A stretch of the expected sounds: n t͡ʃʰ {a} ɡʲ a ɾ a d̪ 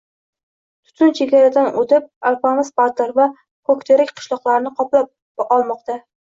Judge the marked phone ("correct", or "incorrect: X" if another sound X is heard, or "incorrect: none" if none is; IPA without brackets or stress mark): incorrect: e